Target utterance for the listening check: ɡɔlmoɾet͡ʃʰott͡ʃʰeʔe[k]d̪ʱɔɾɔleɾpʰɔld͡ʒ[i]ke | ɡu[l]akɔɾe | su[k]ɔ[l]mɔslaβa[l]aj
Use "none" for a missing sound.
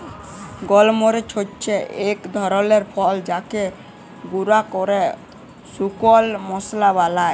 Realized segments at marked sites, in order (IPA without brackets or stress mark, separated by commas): k, a, ɾ, k, l, l